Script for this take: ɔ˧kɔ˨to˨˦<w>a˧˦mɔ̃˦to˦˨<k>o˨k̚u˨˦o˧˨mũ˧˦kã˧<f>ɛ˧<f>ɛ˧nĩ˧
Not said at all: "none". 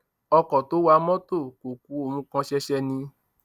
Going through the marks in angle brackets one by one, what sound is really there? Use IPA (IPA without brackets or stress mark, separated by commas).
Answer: w, k, ʃ, ʃ